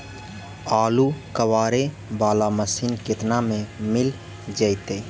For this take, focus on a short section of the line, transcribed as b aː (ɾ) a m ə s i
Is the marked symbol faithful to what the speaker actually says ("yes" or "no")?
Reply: no